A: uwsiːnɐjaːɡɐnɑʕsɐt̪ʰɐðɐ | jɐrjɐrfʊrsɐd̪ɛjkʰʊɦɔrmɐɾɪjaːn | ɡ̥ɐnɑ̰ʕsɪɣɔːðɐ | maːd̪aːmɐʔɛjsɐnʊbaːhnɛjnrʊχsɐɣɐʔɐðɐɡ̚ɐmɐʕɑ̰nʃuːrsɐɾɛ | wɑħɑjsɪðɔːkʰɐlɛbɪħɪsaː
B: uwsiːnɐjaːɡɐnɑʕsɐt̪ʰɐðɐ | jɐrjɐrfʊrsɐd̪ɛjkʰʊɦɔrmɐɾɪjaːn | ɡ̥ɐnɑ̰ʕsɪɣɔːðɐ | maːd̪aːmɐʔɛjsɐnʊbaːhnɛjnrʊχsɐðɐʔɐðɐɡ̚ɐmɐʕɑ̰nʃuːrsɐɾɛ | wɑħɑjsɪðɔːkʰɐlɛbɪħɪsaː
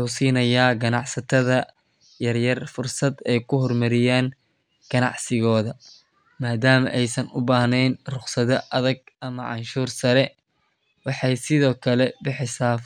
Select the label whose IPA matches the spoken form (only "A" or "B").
B